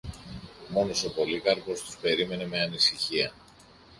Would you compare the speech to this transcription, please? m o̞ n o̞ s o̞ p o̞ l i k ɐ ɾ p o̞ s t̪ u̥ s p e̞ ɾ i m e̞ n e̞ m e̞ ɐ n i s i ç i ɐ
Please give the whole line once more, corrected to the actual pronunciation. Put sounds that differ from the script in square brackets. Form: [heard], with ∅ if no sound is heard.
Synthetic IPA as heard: m o̞ n o̞ s o̞ p o̞ l i k ɐ ɾ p o̞ s t̪ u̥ s p e̞ ɾ i m e̞ n e̞ m e̞ ɐ n i s i ç i ɐ